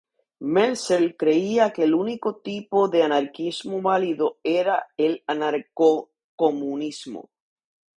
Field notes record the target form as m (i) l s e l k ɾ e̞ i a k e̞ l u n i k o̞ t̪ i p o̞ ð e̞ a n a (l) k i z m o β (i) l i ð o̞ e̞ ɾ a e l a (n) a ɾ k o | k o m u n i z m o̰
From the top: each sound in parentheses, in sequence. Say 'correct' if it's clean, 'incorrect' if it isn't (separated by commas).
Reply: incorrect, incorrect, incorrect, correct